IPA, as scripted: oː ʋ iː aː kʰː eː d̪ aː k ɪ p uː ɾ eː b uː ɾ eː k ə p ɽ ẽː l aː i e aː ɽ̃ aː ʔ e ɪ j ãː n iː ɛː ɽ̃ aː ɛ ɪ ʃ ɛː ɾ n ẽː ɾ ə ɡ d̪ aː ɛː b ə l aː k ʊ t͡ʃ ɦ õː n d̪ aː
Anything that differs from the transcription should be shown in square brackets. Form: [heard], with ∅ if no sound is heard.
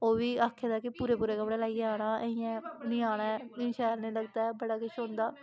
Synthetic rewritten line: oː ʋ iː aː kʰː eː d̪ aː k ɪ p uː ɾ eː [p] uː ɾ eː k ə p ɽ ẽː l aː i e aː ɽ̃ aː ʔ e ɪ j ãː n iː [aː] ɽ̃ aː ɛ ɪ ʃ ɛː ɾ n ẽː [l] ə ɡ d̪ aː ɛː b ə [ɽ] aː k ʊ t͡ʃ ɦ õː n d̪ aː